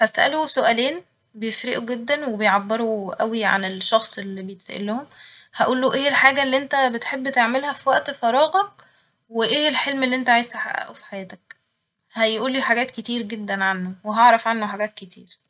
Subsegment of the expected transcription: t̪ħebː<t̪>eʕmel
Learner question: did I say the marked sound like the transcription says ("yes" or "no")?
yes